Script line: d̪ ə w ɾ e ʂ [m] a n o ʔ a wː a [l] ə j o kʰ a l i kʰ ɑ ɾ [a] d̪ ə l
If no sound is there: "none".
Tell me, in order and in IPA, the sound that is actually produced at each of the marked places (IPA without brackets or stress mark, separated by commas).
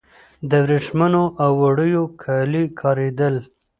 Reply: m, ɽ, e